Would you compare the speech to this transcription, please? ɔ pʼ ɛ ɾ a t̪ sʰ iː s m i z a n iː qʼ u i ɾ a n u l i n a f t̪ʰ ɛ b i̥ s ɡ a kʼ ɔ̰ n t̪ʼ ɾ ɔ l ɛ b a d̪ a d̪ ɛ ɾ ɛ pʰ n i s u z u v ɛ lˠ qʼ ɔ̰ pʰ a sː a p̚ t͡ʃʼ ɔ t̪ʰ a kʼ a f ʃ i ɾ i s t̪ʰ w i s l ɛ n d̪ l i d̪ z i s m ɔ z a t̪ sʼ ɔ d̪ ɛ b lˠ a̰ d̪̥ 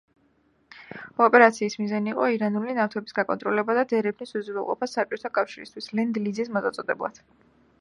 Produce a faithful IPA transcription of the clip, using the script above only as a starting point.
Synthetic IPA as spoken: ɔ pʼ ɛ ɾ a t̪ sʰ iː s m i z a n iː qʼ ɔ i ɾ a n u l i n a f t̪ʰ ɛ b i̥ s ɡ a kʼ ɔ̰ n t̪ʼ ɾ ɔ l ɛ b a d̪ a d̪ ɛ ɾ ɛ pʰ n i s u z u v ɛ lˠ qʼ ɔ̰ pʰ a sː a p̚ t͡ʃʼ ɔ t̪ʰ a kʼ a f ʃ i ɾ i s t̪ʰ w i s l ɛ n d̪ l i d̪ z i s m ɔ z a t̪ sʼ ɔ d̪ ɛ b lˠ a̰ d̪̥